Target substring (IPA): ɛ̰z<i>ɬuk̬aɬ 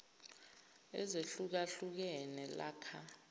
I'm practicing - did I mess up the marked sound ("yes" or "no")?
yes